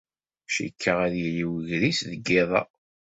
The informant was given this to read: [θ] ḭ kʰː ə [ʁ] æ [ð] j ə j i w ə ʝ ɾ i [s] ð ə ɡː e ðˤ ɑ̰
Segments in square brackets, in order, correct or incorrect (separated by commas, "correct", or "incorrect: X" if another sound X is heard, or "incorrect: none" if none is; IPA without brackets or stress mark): incorrect: ʃ, correct, correct, correct